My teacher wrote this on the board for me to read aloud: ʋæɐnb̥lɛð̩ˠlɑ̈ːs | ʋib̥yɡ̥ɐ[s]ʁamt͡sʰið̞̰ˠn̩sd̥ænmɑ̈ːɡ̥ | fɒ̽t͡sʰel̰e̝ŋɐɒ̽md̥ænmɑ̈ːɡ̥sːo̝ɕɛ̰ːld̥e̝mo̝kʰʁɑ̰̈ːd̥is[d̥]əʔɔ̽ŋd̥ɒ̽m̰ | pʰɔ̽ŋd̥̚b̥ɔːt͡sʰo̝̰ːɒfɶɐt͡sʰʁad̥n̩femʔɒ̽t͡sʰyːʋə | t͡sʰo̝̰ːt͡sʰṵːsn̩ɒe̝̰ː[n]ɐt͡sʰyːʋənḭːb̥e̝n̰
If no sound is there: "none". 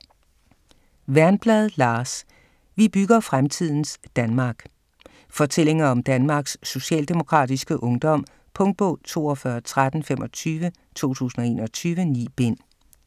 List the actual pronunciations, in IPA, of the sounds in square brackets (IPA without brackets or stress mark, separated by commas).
f, ɡ̥, n